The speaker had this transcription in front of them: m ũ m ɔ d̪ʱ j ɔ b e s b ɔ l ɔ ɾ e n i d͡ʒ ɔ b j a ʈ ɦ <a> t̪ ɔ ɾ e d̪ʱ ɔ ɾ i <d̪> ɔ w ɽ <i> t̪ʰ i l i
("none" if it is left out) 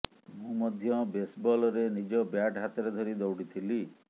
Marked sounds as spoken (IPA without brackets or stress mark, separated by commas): a, d̪, i